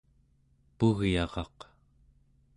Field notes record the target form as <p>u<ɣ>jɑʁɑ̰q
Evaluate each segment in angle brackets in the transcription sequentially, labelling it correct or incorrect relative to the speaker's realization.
correct, correct

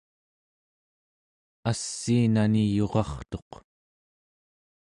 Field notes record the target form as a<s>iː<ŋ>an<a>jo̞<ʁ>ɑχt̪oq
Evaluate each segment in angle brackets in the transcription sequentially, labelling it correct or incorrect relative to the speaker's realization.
incorrect: sː, incorrect: n, incorrect: i, correct

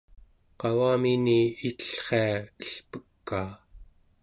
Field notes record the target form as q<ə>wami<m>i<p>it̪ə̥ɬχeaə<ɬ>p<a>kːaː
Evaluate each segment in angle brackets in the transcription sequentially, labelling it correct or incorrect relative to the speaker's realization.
incorrect: ɑ, incorrect: n, incorrect: none, correct, incorrect: ə

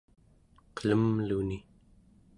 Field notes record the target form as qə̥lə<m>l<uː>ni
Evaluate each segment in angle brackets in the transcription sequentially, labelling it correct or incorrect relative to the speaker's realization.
correct, incorrect: u

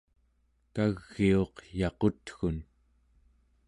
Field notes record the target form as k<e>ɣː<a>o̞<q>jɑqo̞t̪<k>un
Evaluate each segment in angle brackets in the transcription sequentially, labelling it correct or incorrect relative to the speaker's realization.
incorrect: a, incorrect: i, correct, incorrect: x

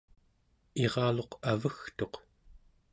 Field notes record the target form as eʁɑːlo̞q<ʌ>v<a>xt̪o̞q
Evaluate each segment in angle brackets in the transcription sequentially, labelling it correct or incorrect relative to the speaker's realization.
incorrect: a, incorrect: ə

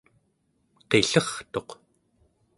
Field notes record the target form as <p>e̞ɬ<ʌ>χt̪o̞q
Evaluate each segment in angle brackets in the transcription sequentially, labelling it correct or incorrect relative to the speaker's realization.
incorrect: q, correct

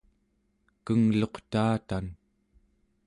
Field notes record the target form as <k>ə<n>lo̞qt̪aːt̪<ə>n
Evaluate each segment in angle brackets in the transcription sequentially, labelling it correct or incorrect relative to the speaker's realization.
correct, incorrect: ŋ, incorrect: a

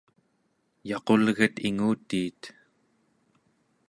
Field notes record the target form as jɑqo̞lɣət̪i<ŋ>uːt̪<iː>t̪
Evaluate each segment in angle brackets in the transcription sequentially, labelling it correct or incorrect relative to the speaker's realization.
correct, correct

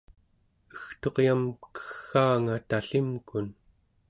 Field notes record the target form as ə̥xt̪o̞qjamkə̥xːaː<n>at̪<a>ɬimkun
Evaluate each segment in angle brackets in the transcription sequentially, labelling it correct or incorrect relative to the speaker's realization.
incorrect: ŋ, correct

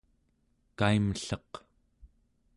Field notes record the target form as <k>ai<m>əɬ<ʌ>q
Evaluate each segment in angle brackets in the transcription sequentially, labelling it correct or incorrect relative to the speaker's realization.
correct, correct, correct

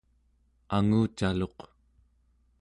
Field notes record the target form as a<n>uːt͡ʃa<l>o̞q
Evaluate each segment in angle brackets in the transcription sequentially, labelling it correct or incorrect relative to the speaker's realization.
incorrect: ŋ, correct

